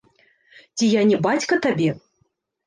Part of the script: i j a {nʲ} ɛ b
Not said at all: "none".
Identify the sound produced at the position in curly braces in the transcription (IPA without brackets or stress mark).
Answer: nʲ